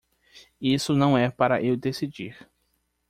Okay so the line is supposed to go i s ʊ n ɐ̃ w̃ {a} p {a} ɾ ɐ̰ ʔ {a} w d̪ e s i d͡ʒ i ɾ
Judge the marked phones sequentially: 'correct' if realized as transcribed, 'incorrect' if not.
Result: incorrect: ɛ, correct, incorrect: e

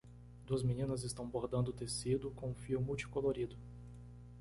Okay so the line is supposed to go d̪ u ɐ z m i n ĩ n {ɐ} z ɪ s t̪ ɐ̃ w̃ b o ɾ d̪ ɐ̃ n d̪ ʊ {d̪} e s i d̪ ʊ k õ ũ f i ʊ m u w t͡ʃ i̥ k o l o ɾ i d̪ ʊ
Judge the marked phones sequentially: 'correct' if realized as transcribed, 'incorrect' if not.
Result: correct, incorrect: t̪

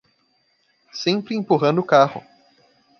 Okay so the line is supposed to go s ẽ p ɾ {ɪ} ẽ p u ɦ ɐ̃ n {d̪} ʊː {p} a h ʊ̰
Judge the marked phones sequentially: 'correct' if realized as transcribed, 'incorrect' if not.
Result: correct, correct, incorrect: k

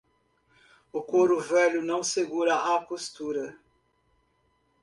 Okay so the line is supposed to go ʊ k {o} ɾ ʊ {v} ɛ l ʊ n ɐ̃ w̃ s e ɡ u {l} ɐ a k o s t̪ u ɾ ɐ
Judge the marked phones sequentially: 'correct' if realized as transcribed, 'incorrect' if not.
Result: correct, correct, incorrect: ɾ

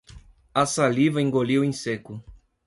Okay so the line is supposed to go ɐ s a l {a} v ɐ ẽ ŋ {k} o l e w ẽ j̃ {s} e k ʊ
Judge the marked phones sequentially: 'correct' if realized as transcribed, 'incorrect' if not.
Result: incorrect: i, incorrect: ɡ, correct

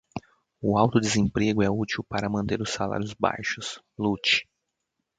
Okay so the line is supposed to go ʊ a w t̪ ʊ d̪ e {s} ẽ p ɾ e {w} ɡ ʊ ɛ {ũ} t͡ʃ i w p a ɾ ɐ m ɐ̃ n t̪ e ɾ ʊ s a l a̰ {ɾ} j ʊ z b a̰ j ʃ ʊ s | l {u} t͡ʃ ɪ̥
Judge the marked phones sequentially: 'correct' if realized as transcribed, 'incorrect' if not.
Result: incorrect: z, incorrect: none, incorrect: u, correct, correct

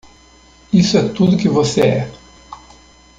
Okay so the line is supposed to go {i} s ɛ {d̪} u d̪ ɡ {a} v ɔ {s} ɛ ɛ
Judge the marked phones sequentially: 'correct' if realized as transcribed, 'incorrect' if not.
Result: correct, incorrect: t̪, incorrect: i, correct

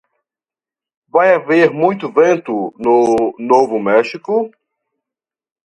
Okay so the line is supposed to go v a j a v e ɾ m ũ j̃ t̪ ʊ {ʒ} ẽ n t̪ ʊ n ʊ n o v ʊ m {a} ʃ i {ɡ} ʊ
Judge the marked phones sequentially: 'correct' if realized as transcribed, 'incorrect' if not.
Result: incorrect: v, incorrect: ɛ, incorrect: k

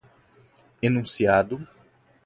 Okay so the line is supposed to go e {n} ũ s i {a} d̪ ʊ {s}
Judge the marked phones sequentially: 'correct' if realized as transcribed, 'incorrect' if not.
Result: correct, correct, incorrect: none

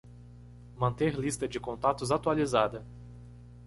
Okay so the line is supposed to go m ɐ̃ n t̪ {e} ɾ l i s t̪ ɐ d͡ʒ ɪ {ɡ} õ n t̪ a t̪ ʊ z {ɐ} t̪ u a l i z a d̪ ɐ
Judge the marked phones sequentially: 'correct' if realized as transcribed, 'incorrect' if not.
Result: correct, incorrect: k, incorrect: a

